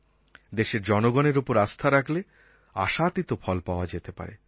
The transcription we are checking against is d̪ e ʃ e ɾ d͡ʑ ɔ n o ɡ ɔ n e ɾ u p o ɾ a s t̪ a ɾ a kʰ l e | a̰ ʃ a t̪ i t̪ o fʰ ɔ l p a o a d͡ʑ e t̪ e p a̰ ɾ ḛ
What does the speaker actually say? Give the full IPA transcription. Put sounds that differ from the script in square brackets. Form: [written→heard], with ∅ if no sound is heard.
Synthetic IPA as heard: d̪ e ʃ e ɾ d͡ʑ ɔ n o ɡ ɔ n e ɾ u p o ɾ a s [t̪→t̪ʰ] a ɾ a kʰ l e | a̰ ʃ a t̪ i t̪ o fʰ ɔ l p a o a d͡ʑ e t̪ e p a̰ ɾ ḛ